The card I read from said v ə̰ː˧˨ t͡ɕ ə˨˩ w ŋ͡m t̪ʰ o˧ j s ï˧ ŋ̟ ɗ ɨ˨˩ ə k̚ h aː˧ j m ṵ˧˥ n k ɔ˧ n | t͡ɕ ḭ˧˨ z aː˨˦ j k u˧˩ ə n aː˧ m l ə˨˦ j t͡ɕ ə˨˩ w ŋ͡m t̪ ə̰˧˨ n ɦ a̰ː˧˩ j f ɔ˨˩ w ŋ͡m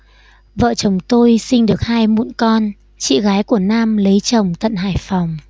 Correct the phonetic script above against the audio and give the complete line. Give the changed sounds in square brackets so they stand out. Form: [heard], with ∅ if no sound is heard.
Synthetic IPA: v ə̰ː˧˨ t͡ɕ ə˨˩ w ŋ͡m [t̪] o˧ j s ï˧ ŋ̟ ɗ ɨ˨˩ ə k̚ h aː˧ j m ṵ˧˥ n k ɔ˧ n | t͡ɕ ḭ˧˨ [ɣ] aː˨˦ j k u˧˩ ə n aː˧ m l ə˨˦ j t͡ɕ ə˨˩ w ŋ͡m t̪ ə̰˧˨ n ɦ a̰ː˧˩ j f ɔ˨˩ w ŋ͡m